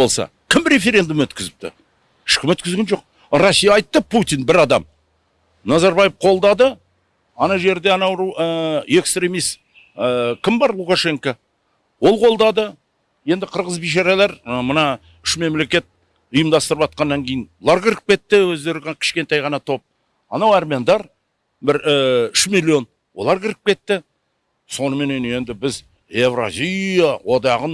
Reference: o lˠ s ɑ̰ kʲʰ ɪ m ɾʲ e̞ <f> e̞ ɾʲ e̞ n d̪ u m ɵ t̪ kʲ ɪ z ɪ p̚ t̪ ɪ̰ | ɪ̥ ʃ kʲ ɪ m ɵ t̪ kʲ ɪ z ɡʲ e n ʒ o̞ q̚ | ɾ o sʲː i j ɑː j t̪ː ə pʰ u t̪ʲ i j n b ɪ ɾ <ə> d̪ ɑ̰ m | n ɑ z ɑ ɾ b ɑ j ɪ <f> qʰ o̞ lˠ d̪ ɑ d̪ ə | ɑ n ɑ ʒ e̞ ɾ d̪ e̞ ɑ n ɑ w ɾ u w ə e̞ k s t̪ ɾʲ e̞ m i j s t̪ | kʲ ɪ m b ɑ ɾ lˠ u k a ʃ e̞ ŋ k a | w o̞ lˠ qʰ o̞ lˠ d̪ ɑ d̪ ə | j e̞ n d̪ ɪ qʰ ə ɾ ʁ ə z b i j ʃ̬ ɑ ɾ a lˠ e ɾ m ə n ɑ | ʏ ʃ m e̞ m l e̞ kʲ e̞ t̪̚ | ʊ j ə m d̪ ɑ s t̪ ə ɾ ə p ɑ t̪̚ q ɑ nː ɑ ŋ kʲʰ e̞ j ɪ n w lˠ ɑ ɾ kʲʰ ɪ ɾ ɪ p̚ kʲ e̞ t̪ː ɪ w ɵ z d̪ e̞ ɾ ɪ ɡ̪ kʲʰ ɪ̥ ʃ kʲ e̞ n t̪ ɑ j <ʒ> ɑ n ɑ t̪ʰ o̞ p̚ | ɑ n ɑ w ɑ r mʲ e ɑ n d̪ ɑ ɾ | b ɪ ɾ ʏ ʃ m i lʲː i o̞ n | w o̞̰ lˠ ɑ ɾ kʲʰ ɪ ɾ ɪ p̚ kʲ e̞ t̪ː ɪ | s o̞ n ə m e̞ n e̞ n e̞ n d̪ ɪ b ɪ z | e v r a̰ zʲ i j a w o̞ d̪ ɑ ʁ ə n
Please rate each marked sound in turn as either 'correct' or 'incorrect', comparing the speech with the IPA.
correct, incorrect: ɑ, correct, incorrect: ʁ

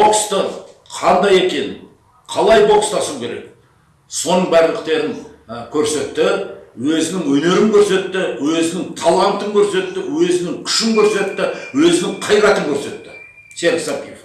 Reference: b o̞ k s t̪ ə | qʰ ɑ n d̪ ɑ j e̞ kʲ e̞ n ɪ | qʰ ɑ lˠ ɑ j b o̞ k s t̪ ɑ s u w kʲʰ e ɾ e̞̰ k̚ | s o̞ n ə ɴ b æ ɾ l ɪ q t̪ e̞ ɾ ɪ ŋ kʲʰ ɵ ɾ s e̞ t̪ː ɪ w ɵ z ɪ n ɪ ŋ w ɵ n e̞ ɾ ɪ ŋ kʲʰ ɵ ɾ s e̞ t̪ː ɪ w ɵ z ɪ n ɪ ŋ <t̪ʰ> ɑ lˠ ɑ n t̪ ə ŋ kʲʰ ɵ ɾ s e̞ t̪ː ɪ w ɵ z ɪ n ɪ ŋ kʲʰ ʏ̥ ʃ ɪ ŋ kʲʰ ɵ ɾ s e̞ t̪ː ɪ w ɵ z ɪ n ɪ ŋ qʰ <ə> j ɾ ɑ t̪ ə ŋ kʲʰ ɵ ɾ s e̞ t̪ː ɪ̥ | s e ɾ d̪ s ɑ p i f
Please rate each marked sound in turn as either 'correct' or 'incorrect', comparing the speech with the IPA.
correct, incorrect: ɑ

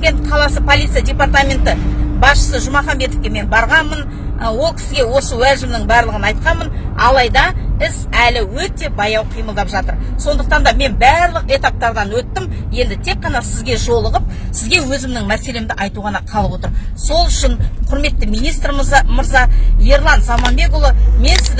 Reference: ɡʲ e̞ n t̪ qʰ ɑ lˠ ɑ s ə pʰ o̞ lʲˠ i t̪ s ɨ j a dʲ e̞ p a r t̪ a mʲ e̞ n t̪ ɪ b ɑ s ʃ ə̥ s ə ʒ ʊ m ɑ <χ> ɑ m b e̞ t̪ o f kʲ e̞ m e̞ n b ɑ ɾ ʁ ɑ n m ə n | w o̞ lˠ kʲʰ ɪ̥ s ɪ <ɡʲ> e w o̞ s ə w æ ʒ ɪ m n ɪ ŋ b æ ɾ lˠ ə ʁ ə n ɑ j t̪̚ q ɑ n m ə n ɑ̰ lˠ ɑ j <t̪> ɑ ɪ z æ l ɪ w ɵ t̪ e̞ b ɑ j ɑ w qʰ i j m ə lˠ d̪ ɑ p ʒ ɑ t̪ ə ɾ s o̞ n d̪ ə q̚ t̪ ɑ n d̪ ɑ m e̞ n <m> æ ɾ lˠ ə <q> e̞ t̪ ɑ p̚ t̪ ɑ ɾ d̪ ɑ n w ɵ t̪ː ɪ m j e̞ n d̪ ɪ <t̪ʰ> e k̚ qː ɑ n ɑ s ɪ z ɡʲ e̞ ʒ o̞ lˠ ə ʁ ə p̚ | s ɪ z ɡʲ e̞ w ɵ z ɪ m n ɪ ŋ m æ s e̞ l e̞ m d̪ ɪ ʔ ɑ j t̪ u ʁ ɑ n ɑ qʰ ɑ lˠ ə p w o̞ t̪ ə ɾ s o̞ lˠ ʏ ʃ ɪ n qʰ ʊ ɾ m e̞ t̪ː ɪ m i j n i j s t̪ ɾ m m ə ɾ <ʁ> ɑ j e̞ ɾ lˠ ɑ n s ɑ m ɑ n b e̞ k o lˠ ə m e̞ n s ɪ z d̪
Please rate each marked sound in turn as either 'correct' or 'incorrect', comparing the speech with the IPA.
correct, correct, incorrect: d̪, incorrect: b, correct, correct, incorrect: z

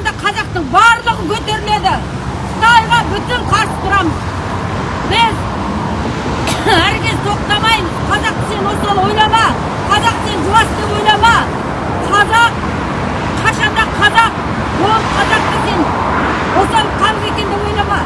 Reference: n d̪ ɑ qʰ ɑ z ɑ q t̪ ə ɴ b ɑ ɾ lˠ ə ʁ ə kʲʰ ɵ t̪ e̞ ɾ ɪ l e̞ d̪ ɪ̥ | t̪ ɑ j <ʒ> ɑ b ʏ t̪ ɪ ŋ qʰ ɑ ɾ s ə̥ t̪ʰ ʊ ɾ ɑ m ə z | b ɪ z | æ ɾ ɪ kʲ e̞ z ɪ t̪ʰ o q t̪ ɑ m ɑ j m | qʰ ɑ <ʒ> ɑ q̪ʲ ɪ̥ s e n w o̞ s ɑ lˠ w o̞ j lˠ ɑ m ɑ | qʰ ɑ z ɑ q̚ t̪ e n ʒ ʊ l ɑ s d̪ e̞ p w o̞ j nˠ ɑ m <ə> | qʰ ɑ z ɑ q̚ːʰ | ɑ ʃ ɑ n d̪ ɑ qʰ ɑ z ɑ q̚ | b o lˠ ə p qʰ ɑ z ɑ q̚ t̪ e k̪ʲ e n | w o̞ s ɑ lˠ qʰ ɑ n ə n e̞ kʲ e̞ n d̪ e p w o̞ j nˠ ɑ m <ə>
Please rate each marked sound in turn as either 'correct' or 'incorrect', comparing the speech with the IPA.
incorrect: ʁ, incorrect: z, incorrect: ɑ, incorrect: ɑ

